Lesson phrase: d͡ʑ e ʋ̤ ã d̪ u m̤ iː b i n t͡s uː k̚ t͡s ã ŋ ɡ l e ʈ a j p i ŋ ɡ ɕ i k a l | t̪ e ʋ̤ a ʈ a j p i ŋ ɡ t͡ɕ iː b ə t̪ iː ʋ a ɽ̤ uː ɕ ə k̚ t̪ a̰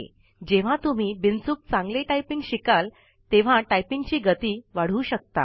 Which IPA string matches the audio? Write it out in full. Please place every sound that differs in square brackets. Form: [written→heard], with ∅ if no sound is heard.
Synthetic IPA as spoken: d͡ʑ e ʋ̤ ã [d̪→t̪] u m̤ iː b i n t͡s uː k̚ t͡s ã ŋ ɡ l e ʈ a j p i ŋ ɡ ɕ i k a l | t̪ e ʋ̤ a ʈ a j p i ŋ ɡ t͡ɕ iː [b→ɡ] ə t̪ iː ʋ a ɽ̤ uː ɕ ə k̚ t̪ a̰